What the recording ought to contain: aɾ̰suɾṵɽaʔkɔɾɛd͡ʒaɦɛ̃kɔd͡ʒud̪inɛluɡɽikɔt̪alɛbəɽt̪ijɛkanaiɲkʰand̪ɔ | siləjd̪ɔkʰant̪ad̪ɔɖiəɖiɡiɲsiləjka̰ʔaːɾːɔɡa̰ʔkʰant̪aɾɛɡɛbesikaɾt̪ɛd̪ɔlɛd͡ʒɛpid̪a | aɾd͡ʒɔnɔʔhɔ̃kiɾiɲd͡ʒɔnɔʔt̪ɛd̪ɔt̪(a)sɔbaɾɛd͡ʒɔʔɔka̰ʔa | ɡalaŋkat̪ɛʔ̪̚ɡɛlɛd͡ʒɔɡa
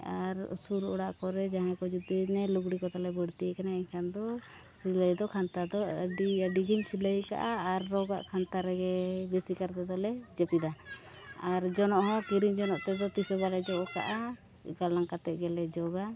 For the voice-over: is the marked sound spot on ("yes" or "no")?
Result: no